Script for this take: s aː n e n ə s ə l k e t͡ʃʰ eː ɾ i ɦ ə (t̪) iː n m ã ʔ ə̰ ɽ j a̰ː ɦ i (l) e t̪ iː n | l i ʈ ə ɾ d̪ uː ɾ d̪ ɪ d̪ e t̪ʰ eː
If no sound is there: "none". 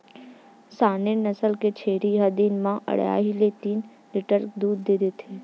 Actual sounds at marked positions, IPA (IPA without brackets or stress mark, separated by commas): d̪, l